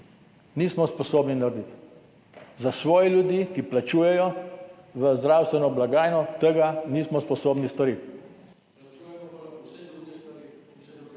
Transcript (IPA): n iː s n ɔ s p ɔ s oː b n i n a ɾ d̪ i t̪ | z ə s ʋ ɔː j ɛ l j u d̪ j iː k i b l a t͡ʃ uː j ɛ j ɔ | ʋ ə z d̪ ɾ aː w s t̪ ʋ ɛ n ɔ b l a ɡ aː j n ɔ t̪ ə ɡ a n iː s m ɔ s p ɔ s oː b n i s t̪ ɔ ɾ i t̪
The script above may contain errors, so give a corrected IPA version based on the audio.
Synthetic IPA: n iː s m ɔ s p ɔ s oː b n i n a ɾ d̪ i t̪ | z a s ʋ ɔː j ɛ l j u d̪ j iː k i p l a t͡ʃ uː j ɛ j ɔ | ʋ ə z d̪ ɾ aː w s t̪ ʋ ɛ n ɔ b l a ɡ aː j n ɔ t̪ ə ɡ a n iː s m ɔ s p ɔ s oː b n i s t̪ ɔ ɾ i t̪